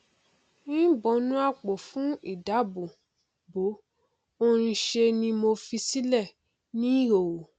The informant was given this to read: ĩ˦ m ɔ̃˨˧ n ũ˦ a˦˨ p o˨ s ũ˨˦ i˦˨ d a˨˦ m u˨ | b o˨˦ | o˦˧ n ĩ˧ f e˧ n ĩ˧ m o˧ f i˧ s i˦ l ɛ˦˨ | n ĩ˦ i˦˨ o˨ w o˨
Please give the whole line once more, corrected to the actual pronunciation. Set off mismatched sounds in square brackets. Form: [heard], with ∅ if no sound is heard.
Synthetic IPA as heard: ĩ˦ [b] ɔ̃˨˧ n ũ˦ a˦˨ [k͡p] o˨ [f] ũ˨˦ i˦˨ d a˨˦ [b] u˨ | b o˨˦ | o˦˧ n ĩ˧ [ʃ] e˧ n ĩ˧ m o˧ f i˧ s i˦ l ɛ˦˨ | n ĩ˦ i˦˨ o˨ w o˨